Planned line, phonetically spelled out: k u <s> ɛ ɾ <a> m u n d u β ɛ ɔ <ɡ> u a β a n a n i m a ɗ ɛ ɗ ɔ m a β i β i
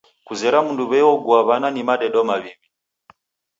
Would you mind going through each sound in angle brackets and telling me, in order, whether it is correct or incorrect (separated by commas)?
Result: incorrect, correct, correct